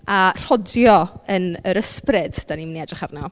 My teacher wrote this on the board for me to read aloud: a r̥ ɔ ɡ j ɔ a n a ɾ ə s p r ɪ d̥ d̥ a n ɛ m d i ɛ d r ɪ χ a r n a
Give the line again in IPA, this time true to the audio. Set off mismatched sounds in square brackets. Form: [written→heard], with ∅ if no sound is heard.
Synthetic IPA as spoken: a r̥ ɔ [ɡ→d] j ɔ [a→ə] n [a→ə] ɾ ə s p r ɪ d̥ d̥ a n [ɛ→i] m [d→n] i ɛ d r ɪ χ a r n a